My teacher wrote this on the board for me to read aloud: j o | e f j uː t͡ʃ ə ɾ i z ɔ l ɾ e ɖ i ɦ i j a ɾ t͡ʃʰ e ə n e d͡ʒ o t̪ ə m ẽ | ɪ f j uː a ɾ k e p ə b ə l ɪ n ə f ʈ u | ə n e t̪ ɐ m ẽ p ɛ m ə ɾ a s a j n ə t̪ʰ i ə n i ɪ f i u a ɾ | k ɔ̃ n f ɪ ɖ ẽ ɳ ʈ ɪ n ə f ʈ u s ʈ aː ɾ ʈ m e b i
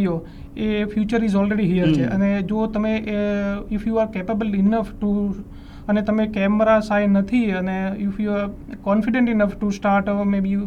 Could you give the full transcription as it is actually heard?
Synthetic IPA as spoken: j o | e f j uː t͡ʃ ə ɾ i z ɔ l ɾ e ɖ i ɦ i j ə ɾ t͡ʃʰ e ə n e d͡ʒ o t̪ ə m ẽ | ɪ f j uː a ɾ k e p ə b ə l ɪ n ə f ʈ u | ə n e t̪ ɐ m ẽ k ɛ m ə ɾ a s a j n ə t̪ʰ i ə n e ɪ f j u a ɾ | k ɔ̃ n f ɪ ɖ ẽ ɳ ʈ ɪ n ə f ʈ u s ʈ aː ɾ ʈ m e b i